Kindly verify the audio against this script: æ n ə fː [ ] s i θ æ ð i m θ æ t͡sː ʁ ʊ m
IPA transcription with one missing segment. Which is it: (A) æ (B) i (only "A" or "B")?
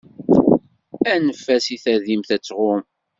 A